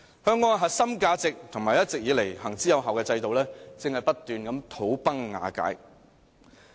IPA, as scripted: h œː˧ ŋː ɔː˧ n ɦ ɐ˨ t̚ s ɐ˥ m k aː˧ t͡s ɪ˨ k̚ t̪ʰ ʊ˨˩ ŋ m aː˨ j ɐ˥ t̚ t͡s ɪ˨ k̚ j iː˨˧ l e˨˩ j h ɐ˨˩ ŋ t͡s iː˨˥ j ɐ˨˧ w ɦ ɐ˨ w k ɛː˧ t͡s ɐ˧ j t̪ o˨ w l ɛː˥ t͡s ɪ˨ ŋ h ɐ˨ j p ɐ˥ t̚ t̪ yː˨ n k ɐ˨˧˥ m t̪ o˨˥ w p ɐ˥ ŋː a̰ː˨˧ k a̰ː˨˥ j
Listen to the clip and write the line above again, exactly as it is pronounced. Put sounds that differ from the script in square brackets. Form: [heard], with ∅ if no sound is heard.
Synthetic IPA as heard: h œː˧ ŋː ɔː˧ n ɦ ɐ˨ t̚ s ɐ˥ m k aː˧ t͡s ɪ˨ k̚ t̪ʰ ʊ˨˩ ŋ m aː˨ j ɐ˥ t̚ t͡s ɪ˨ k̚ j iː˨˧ l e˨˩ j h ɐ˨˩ ŋ t͡s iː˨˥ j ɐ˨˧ w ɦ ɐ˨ w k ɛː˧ t͡s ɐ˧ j t̪ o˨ w l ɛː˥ t͡s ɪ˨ ŋ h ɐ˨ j p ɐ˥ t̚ t̪ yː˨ n k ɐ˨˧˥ m [t̪ʰ] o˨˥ w p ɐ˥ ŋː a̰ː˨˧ k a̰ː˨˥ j

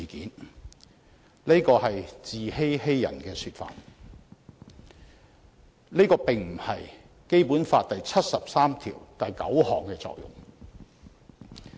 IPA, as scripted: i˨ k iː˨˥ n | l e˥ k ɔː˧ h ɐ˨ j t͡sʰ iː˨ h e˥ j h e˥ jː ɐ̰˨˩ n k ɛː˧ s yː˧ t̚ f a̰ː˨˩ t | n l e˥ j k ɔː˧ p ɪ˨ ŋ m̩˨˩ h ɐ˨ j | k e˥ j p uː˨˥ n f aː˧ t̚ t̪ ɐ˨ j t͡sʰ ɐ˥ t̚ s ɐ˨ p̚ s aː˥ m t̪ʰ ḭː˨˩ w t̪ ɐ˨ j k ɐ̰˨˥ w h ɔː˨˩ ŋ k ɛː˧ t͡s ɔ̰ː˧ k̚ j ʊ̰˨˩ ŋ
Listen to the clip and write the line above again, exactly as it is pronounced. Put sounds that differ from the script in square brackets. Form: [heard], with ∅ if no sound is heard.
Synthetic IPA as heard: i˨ k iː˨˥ n | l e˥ k ɔː˧ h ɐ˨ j [t͡s] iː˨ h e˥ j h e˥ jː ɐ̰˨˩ n k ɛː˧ s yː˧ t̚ f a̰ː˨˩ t | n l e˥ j k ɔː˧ p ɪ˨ ŋ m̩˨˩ h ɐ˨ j | k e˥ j p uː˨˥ n f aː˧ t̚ t̪ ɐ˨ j t͡sʰ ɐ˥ t̚ s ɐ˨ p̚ s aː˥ m t̪ʰ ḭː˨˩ w t̪ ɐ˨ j k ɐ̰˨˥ w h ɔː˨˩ ŋ k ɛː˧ t͡s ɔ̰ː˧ k̚ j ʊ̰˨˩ ŋ

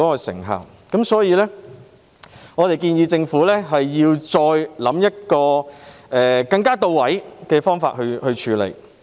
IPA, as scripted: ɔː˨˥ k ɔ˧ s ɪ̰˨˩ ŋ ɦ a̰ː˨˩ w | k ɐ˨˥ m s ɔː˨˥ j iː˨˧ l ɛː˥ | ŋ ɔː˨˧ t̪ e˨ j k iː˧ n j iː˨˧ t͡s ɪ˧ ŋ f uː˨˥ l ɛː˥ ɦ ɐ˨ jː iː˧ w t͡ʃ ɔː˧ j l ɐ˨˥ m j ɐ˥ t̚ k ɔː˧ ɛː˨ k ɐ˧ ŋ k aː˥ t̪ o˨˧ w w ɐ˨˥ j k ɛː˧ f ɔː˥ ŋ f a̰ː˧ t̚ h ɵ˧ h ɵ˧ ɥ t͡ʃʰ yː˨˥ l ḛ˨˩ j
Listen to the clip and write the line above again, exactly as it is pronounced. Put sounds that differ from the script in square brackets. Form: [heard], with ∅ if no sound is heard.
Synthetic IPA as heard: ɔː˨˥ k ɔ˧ s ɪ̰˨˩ ŋ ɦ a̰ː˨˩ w | k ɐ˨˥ m s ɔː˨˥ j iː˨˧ l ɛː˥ | ŋ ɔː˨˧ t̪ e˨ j k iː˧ n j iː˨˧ t͡s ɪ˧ ŋ f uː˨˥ l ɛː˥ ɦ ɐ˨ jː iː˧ w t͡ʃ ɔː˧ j l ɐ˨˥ m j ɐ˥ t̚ k ɔː˧ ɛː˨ k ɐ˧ ŋ k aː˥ t̪ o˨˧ w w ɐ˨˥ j k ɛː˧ f ɔː˥ ŋ f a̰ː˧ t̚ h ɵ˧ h ɵ˧ ɥ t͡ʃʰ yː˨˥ l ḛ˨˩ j

